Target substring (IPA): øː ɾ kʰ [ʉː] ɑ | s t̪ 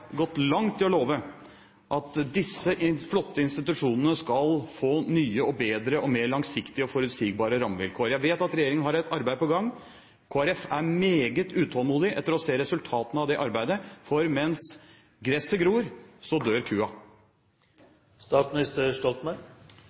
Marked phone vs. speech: correct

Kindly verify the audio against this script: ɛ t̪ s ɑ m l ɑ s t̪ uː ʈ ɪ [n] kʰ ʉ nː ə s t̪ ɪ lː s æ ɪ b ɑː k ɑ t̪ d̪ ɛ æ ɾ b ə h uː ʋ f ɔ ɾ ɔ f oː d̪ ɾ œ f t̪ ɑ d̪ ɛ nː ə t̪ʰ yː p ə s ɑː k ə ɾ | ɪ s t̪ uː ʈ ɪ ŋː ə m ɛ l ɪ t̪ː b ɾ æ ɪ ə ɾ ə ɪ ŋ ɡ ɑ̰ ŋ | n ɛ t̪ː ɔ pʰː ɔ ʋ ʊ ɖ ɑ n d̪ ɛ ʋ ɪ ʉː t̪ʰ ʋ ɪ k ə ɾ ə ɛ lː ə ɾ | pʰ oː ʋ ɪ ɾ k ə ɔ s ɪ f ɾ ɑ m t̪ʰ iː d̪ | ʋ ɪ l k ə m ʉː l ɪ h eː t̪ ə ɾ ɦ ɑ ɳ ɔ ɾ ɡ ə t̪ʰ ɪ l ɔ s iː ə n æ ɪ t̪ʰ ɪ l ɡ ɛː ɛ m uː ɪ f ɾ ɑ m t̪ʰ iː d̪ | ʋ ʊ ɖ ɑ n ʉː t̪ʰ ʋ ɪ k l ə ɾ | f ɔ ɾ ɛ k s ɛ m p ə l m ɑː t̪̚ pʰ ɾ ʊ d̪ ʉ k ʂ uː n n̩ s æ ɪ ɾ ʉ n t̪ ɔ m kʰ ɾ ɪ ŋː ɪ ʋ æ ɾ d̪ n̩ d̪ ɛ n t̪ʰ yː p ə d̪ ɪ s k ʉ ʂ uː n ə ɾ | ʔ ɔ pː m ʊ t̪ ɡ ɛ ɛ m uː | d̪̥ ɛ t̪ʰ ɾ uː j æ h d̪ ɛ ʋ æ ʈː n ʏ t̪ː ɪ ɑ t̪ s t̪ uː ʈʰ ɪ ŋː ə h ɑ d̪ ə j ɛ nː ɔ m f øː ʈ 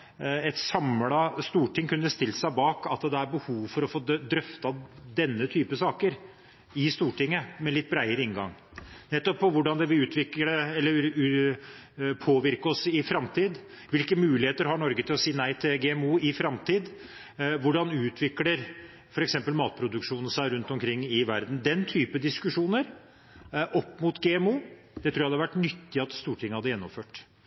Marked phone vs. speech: incorrect: ŋ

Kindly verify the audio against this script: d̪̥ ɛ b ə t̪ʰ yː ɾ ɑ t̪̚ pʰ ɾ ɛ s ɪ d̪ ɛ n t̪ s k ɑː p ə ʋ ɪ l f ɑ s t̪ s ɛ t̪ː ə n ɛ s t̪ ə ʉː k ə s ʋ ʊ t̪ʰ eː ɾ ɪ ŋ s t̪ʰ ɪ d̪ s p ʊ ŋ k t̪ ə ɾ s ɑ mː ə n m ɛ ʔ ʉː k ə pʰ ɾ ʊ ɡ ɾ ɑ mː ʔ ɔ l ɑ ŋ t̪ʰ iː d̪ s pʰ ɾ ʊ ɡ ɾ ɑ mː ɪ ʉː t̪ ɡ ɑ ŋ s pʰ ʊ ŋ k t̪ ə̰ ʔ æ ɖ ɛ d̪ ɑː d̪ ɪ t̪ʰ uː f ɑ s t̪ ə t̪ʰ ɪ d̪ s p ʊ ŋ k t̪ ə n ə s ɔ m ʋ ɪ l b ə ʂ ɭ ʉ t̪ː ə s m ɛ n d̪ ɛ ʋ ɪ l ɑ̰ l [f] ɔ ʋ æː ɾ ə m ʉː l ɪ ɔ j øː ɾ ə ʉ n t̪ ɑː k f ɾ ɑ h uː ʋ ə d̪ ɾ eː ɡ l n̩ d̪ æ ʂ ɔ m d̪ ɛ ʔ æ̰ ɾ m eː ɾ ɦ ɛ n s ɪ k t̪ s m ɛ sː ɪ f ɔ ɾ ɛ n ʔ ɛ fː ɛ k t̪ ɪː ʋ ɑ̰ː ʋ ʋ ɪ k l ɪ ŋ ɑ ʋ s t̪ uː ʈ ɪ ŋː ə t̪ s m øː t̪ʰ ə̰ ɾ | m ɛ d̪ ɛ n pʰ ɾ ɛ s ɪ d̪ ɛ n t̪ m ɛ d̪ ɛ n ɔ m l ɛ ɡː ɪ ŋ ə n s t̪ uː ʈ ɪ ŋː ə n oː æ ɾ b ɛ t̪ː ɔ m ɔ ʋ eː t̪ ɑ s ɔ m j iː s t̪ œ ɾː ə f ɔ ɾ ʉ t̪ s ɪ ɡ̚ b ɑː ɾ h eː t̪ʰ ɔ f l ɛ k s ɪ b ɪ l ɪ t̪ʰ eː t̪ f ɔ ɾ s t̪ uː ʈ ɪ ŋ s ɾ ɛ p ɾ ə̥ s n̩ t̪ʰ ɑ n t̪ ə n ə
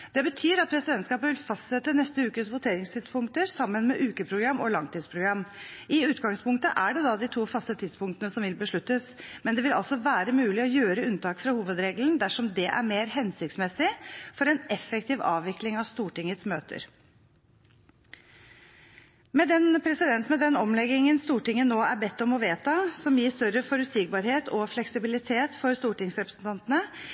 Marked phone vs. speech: incorrect: s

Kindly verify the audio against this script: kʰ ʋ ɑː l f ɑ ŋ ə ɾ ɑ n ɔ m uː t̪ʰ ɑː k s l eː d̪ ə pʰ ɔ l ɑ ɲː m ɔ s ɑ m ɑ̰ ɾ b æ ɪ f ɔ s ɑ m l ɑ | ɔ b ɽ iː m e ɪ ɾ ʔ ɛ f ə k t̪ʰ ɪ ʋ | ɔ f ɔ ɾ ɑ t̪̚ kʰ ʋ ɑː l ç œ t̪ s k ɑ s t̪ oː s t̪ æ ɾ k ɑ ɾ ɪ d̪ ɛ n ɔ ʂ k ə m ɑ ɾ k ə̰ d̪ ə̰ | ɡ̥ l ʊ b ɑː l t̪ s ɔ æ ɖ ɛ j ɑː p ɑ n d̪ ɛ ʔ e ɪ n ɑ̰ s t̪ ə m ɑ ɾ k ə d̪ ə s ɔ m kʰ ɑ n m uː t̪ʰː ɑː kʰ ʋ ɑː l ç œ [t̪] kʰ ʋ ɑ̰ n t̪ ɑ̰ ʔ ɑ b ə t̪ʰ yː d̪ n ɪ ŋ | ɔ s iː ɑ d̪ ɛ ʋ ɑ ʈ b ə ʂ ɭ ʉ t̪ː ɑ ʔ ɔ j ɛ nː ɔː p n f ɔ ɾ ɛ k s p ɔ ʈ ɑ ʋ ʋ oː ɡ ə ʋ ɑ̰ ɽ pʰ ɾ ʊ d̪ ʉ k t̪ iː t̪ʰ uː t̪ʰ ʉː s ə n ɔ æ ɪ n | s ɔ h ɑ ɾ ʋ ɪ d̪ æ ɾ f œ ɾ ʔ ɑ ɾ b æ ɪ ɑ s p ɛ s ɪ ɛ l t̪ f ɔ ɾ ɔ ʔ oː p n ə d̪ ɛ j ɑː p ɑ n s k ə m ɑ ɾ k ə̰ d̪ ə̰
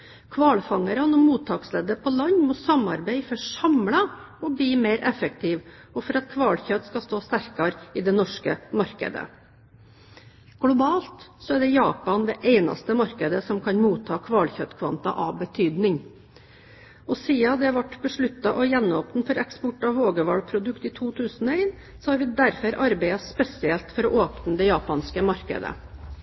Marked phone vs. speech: correct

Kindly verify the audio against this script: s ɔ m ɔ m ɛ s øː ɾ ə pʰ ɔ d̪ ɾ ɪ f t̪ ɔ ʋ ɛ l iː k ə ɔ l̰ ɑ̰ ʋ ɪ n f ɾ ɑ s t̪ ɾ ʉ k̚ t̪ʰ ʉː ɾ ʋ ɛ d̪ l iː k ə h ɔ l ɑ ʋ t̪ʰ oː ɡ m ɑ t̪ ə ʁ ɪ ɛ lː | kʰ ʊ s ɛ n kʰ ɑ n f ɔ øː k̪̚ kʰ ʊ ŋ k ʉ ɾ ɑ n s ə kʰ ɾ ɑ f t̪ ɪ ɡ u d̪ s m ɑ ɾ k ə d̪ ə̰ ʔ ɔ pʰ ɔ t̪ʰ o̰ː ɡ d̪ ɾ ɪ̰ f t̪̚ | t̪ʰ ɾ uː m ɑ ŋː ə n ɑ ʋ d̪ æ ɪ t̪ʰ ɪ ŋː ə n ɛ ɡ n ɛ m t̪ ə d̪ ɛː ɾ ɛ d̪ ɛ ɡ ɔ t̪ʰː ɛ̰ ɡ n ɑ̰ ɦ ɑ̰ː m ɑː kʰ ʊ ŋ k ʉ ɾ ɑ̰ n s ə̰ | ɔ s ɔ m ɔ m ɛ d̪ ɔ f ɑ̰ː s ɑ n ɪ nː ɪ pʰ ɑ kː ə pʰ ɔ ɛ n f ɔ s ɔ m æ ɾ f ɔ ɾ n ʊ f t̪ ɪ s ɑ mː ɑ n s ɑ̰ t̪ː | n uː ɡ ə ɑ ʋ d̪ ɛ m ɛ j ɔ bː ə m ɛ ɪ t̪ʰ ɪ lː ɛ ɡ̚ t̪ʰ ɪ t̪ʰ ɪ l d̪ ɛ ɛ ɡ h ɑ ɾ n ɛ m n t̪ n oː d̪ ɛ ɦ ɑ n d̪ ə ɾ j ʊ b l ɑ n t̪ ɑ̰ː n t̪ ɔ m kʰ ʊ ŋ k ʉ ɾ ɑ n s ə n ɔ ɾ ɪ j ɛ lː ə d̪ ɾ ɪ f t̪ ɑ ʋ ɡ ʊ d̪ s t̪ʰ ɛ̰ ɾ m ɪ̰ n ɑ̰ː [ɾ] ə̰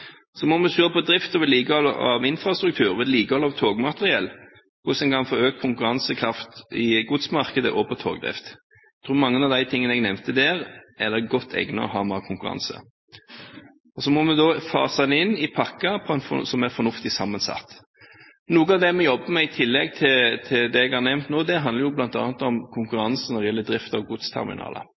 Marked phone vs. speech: incorrect: l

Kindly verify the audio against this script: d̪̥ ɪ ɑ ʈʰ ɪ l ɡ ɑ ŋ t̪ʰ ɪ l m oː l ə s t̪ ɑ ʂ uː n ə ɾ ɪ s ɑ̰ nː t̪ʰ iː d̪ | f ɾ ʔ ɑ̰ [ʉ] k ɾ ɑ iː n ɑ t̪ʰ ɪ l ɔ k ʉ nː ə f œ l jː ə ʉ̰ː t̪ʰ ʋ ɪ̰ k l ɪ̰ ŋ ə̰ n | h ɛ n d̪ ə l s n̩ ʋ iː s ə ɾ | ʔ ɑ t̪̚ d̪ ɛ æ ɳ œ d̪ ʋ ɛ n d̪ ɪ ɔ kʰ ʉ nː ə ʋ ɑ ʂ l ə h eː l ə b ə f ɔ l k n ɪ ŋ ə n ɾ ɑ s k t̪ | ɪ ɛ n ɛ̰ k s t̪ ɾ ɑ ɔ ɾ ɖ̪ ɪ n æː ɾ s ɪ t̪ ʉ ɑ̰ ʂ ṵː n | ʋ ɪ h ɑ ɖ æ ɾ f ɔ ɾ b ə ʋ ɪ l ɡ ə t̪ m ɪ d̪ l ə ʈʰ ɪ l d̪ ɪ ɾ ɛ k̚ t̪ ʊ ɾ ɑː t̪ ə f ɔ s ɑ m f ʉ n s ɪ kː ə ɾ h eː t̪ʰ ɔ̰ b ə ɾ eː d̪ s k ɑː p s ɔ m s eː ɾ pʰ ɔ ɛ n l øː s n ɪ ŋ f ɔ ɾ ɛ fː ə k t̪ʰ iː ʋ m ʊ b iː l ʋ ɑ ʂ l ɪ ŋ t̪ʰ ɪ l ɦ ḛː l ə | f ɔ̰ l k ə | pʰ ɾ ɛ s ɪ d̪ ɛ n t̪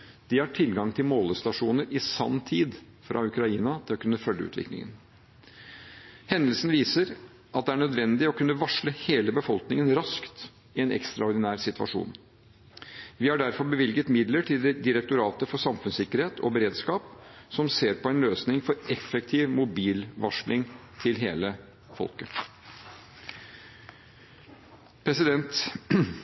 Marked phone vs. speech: correct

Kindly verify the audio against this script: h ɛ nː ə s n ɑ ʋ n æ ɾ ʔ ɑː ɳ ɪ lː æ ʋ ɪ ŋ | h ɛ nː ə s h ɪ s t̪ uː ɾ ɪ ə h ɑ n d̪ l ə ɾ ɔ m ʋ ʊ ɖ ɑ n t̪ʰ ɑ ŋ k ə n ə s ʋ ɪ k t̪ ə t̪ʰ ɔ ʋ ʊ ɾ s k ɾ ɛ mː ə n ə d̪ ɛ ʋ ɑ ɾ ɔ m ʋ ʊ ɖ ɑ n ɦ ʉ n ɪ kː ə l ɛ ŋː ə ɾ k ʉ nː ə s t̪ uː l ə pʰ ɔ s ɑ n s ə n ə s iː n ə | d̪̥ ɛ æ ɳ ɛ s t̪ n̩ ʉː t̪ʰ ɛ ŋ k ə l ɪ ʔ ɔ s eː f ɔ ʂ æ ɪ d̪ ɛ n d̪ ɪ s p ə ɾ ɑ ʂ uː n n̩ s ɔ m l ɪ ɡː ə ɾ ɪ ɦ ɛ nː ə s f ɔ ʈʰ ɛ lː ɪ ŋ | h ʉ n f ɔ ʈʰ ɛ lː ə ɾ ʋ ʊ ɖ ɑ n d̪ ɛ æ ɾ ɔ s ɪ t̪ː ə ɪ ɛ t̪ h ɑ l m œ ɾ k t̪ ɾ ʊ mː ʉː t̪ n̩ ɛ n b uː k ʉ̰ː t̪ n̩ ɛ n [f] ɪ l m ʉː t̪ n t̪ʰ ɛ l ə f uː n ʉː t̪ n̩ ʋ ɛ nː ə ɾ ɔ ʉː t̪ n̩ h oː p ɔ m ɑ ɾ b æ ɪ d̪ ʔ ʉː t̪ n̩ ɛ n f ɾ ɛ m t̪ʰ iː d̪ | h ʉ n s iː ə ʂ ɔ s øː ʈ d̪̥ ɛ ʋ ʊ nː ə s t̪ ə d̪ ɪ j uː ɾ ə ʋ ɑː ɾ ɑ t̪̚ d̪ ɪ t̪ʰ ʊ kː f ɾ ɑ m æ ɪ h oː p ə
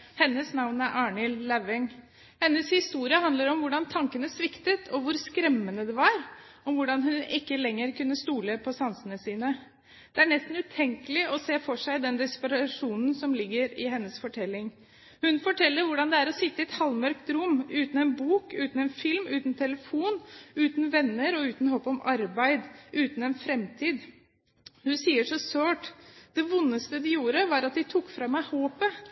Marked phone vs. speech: correct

